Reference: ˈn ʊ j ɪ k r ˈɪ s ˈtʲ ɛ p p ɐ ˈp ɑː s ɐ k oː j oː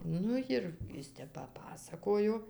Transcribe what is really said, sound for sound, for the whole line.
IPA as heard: ˈn ʊ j ɪ r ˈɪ s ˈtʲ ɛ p p ɐ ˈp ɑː s ɐ k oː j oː

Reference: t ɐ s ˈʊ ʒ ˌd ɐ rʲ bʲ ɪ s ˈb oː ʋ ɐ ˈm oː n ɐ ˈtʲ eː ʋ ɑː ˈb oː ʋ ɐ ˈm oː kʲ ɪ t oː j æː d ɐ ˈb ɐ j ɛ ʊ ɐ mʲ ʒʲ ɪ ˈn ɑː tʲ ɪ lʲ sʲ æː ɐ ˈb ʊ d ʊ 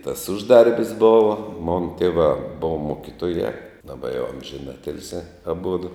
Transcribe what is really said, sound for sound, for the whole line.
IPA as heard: t ɐ s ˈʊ ʒ ˌd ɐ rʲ bʲ ɪ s ˈb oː ʋ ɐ ˈm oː n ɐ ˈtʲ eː ʋ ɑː ˈb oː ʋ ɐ ˈm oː kʲ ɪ t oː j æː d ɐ ˈb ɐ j ɛ ʊ ɐ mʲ ʒʲ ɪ ˈn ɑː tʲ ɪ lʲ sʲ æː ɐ ˈb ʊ d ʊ

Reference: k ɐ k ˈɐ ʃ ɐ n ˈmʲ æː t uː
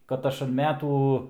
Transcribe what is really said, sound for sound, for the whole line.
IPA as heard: k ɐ t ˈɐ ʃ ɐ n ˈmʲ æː t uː

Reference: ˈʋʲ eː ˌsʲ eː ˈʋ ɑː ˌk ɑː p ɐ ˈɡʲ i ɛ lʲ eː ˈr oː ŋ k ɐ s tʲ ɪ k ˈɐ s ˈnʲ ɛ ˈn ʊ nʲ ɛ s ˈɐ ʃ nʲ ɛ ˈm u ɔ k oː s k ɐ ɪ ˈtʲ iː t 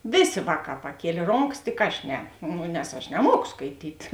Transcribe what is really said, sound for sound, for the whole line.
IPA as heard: ˈʋʲ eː ˌsʲ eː ˈʋ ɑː ˌk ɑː p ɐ ˈkʲ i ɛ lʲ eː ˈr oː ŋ k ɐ s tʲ ɪ k ˈɐ ʃ ˈnʲ ɛ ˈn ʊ nʲ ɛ s ˈɐ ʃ nʲ ɛ ˈm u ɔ k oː s k ɐ ɪ ˈtʲ iː t

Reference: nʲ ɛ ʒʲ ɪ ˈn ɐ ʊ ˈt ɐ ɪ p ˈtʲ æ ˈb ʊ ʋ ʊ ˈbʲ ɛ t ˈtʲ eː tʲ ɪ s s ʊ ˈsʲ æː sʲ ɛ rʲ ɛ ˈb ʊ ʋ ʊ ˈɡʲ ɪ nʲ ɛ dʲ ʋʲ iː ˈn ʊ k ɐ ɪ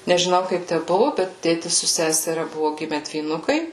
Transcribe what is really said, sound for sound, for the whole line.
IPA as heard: nʲ ɛ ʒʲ ɪ ˈn ɐ ʊ ˈk ɐ ɪ p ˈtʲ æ ˈb ʊ ʋ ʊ ˈbʲ ɛ t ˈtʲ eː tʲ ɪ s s ʊ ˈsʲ æː sʲ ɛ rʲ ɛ ˈb ʊ ʋ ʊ ˈɡʲ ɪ mʲ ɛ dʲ ʋʲ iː ˈn ʊ k ɐ ɪ

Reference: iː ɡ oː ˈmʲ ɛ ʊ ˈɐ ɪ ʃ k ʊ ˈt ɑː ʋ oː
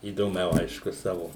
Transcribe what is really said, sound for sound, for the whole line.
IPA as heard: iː d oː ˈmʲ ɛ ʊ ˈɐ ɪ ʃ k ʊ ˈs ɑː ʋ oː

